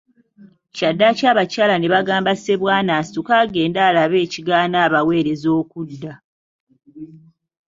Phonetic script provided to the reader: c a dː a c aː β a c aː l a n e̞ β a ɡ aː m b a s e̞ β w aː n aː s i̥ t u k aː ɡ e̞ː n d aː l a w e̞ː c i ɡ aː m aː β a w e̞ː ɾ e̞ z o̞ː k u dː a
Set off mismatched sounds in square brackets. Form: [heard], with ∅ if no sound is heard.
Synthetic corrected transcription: c a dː a c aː β a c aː l a n e̞ β a ɡ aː m b a s e̞ β w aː n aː s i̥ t u k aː ɡ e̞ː n d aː l a [β] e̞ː c i ɡ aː [n] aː β a w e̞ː ɾ e̞ z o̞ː k u dː a